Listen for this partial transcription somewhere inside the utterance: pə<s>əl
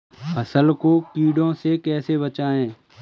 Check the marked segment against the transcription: correct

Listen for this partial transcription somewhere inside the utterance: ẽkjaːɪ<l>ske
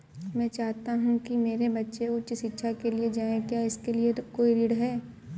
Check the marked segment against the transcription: incorrect: none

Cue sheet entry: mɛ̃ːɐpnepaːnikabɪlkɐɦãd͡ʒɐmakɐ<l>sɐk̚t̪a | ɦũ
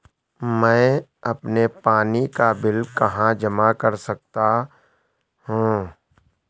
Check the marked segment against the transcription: incorrect: ɾ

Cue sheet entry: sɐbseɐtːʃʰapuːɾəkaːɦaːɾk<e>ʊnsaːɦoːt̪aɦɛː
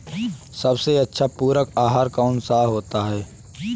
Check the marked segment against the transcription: incorrect: a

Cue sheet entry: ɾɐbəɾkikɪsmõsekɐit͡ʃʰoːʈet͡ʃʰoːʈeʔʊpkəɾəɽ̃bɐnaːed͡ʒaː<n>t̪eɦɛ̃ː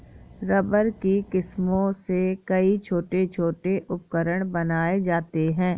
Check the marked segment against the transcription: incorrect: none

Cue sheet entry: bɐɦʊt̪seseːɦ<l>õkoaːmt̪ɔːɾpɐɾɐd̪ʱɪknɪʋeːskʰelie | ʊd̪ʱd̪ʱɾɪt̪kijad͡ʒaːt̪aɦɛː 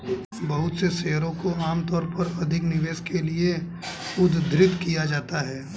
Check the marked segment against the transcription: incorrect: ɾ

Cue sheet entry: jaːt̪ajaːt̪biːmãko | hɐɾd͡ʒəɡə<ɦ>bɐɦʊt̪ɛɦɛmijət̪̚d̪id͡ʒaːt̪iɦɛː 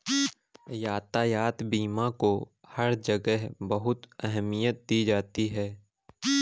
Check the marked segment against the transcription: correct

